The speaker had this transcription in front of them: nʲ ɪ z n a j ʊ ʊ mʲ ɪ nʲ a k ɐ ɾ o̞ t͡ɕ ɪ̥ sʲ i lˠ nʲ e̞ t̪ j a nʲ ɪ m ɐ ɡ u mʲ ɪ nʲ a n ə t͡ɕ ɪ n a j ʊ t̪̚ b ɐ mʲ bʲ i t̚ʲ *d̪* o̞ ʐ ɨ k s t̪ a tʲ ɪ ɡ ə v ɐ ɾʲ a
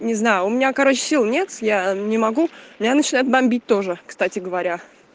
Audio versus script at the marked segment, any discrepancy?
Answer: yes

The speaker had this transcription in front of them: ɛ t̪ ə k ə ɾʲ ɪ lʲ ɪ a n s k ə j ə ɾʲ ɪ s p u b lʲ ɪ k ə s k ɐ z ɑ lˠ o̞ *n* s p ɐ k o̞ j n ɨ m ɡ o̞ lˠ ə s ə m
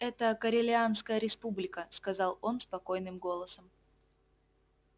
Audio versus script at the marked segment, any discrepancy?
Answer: no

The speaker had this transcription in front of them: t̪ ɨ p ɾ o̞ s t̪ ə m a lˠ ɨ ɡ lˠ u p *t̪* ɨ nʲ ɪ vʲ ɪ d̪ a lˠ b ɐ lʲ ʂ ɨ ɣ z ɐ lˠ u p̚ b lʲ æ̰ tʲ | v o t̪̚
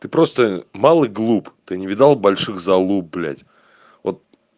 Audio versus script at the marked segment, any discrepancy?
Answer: no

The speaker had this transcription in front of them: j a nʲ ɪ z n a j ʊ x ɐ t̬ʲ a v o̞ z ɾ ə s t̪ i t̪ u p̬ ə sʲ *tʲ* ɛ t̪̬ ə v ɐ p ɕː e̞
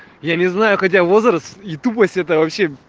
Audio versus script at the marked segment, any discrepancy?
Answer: no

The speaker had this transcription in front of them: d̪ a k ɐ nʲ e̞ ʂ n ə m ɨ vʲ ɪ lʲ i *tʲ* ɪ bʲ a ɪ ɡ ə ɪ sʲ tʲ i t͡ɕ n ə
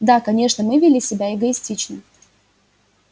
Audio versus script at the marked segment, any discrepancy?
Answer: yes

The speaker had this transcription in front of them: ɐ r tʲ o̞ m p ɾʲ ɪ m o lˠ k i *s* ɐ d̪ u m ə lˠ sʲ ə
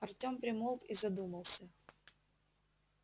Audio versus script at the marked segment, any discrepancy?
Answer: yes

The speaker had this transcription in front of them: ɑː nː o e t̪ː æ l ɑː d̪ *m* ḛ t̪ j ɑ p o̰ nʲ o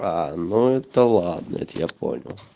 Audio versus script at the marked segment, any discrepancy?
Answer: yes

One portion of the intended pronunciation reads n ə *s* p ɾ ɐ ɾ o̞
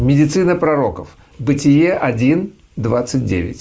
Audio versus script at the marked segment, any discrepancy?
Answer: yes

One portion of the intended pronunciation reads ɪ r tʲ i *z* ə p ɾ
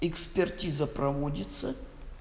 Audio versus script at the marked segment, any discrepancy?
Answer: no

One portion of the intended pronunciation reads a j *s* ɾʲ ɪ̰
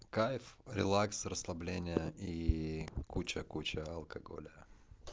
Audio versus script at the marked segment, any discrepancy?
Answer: yes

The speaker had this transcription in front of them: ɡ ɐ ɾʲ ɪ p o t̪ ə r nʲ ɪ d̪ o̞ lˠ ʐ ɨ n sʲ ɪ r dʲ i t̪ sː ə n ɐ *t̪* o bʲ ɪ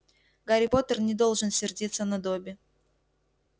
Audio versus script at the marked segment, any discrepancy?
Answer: yes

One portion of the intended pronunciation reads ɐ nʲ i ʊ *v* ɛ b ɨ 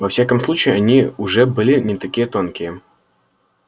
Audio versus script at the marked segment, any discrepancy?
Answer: yes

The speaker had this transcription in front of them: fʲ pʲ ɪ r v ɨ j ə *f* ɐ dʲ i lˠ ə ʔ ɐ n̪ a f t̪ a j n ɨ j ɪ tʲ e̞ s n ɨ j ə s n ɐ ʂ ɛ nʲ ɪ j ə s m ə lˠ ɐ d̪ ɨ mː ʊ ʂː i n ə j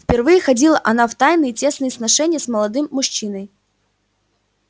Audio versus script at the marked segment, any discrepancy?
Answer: yes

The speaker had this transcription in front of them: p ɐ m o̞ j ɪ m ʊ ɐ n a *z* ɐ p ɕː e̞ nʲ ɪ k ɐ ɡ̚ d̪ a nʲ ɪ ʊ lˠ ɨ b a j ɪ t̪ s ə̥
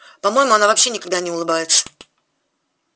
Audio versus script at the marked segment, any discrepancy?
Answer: yes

